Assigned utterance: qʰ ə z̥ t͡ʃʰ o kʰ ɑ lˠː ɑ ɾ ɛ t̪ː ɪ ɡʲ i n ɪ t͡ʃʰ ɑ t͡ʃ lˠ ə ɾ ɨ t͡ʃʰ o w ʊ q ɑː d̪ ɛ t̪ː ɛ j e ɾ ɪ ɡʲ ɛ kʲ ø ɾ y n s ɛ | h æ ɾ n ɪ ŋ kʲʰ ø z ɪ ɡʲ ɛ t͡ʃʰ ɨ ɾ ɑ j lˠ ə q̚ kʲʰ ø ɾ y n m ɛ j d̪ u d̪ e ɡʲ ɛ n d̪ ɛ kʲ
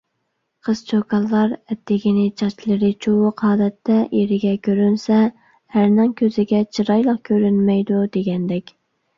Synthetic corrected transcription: qʰ ə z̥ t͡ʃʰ o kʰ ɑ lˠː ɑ ɾ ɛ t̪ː ɪ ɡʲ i n ɪ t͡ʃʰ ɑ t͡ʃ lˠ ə ɾ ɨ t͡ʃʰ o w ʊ q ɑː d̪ ɛ t̪ː ɛ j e ɾ ɪ ɡʲ ɛ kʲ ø ɾ y n s ɛ | h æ ɾ n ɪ ŋ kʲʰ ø z ɪ ɡʲ ɛ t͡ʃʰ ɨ ɾ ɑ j lˠ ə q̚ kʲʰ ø ɾ y n m ɛ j d̪ u d̪ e ɡʲ ɛ n d̪ ɛ kʲ